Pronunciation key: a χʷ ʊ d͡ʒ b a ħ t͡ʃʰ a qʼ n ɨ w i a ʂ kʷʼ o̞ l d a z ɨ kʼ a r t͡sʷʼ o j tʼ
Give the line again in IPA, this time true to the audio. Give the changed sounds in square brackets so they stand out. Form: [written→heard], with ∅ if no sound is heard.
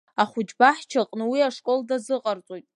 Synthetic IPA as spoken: a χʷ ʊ d͡ʒ b a ħ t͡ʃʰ a qʼ n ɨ w i a ʂ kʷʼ o̞ l d a z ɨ [kʼ→qʼ] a r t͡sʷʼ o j tʼ